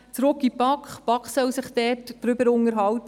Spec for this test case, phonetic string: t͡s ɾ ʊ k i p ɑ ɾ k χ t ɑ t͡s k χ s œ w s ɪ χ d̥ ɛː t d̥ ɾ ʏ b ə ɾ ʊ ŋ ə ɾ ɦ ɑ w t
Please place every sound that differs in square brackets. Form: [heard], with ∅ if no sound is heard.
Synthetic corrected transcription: t͡s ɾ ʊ k i p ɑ [∅] k χ [p] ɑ [∅] k χ s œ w s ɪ χ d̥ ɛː t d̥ ɾ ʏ b ə ɾ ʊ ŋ ə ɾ ɦ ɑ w t